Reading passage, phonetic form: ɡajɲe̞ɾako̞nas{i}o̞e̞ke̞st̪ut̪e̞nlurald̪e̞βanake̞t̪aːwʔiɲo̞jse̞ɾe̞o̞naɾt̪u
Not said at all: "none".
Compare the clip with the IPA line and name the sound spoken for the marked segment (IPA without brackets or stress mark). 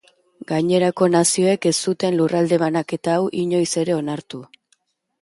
i